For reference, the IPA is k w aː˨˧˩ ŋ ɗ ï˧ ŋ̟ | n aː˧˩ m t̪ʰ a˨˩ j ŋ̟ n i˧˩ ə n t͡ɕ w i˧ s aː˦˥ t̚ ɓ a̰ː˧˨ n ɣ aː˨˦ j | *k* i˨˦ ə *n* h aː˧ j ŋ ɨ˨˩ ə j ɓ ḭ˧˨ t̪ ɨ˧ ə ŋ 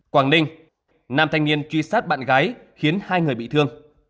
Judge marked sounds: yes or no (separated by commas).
no, yes